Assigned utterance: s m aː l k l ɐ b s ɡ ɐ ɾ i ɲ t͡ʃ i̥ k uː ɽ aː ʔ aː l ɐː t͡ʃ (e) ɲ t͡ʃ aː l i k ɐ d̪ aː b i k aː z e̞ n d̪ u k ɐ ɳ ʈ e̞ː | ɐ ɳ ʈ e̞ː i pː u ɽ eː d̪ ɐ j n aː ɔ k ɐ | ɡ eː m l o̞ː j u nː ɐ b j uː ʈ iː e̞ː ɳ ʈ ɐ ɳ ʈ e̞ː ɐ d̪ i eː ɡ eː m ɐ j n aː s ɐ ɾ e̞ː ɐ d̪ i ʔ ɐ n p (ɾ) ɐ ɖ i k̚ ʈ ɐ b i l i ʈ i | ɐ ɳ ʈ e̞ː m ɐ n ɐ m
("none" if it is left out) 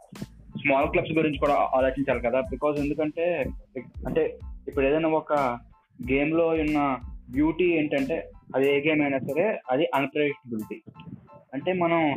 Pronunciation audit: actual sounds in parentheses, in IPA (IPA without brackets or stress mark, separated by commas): i, ɾ